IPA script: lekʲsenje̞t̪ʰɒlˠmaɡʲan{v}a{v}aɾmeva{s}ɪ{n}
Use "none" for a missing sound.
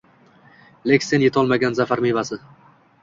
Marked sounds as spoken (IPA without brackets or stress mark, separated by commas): z, f, s, none